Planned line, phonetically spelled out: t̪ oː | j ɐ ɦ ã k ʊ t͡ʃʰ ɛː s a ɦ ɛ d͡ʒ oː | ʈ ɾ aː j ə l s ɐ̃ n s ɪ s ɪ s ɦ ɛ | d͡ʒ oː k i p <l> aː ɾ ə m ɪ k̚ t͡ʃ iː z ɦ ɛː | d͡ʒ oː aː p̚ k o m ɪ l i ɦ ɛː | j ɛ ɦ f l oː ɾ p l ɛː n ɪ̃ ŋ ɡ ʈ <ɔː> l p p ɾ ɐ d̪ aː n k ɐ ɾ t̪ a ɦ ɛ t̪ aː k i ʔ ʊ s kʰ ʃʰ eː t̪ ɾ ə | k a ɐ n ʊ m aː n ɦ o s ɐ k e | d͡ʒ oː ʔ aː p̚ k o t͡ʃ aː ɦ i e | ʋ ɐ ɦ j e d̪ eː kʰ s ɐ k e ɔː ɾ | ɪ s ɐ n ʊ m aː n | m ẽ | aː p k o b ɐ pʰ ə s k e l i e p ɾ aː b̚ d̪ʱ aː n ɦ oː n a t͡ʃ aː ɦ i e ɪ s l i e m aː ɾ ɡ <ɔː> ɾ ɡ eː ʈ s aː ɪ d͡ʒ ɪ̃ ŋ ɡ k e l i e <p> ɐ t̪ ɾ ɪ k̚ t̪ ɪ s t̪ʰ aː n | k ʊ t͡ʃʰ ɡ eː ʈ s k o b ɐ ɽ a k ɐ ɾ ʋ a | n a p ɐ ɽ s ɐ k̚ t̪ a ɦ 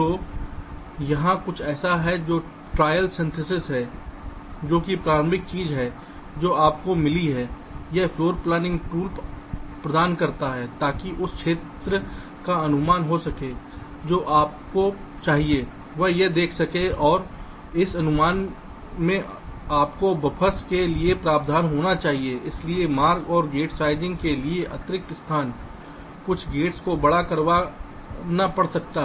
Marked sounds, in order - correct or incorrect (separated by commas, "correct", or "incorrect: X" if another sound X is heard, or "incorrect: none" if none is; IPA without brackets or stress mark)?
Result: incorrect: ɾ, incorrect: uː, correct, incorrect: ʔ